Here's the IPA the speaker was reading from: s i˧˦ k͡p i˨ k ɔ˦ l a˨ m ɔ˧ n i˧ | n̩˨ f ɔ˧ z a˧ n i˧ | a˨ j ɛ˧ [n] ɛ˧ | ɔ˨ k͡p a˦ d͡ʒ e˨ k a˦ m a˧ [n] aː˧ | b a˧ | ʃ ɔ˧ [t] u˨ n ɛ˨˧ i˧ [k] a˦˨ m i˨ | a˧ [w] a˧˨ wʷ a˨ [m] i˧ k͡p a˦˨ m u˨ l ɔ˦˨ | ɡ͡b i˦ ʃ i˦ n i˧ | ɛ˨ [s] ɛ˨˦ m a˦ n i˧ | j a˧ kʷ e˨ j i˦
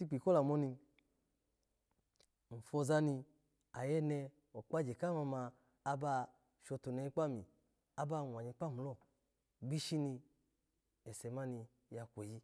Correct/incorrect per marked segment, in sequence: correct, incorrect, correct, incorrect, incorrect, incorrect, correct

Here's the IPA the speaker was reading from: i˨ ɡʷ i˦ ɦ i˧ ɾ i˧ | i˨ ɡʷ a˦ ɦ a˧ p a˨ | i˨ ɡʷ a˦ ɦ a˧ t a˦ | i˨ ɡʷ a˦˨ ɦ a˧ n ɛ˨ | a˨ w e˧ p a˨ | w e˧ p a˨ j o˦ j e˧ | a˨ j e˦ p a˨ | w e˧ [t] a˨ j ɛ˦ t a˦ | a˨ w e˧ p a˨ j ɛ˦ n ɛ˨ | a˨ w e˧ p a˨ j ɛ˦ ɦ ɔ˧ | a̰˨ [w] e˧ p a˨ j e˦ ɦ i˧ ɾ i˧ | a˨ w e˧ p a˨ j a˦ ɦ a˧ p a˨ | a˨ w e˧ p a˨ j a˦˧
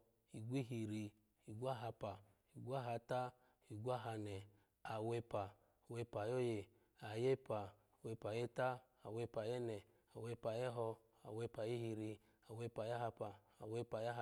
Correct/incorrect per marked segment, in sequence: incorrect, correct

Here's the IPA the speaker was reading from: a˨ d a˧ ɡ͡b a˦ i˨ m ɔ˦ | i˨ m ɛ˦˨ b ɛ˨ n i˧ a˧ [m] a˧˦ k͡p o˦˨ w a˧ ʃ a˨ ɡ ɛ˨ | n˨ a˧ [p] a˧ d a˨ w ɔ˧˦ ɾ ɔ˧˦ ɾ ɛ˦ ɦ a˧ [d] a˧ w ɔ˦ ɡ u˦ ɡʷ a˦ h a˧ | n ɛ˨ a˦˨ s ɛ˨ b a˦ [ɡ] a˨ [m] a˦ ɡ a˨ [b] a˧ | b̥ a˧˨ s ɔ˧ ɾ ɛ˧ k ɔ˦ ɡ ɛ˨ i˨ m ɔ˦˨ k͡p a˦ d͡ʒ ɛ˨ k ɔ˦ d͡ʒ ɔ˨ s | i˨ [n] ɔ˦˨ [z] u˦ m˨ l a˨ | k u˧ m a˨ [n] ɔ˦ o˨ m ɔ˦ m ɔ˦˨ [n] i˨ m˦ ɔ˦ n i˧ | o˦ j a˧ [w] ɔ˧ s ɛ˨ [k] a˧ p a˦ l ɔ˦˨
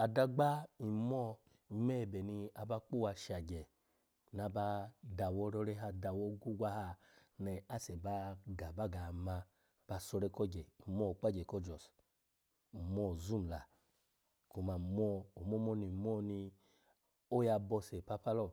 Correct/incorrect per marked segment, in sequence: incorrect, incorrect, correct, correct, incorrect, incorrect, incorrect, correct, incorrect, correct, incorrect, incorrect

